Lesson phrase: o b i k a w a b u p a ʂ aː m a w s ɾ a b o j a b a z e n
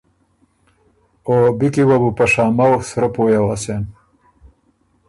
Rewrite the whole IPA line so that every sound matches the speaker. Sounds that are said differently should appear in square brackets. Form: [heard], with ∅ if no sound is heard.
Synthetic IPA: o b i k [i] w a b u p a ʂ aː m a w s ɾ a [p] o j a [w] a [s] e n